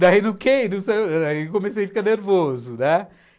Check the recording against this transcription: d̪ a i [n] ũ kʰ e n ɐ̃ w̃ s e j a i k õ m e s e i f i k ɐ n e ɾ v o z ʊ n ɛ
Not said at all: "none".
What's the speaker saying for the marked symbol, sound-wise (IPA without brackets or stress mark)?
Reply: n